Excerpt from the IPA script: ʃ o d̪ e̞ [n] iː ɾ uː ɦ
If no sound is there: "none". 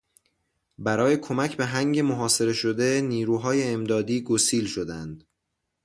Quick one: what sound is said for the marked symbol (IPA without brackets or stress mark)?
n